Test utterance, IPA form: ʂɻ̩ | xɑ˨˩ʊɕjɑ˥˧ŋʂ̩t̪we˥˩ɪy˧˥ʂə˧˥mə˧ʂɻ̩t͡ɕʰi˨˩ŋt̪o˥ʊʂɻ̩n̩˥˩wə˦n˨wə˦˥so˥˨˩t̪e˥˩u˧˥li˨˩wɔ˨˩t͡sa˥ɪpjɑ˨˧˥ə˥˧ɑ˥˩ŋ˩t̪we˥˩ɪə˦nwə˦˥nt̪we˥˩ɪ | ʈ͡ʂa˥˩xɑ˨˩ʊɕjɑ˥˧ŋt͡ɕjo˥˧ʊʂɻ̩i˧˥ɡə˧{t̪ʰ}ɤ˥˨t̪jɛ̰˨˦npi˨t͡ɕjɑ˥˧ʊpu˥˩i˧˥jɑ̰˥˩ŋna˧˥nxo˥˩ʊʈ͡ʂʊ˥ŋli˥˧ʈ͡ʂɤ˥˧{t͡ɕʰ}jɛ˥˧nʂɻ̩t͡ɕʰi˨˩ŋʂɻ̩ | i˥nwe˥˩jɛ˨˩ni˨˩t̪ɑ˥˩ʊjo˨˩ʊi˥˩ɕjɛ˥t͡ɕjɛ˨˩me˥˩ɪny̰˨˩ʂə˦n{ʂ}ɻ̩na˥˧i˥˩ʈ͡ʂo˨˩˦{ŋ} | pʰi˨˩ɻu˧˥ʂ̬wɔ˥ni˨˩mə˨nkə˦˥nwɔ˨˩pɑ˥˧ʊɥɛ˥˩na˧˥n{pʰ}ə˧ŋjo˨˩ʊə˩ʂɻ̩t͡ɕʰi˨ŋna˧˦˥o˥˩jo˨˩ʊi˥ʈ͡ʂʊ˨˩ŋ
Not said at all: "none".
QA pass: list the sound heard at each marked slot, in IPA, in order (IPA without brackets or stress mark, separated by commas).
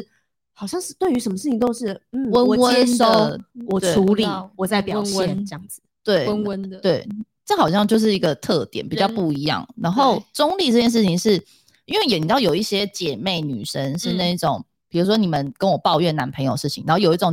t̪ʰ, t͡ɕ, ʂ, ŋ, pʰ